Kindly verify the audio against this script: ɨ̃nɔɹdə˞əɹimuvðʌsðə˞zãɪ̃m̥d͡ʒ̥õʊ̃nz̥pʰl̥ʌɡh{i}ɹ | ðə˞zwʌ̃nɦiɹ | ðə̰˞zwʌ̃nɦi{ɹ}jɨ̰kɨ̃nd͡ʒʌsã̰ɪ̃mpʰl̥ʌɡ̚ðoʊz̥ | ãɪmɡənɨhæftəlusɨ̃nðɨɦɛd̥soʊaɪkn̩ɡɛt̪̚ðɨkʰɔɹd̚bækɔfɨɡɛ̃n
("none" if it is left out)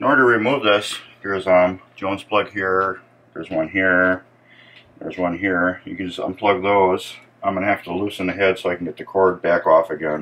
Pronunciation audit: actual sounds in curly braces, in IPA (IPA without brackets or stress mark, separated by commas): i, ɹ